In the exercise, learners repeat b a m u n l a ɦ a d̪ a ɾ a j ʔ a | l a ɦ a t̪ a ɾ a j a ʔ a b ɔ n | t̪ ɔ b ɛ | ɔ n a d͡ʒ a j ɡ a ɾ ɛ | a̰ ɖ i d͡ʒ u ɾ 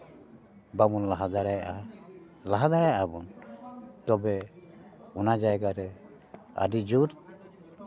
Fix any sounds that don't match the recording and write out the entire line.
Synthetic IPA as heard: b a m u n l a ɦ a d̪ a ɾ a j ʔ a | l a ɦ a d̪ a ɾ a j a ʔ a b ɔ n | t̪ ɔ b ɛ | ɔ n a d͡ʒ a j ɡ a ɾ ɛ | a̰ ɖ i d͡ʒ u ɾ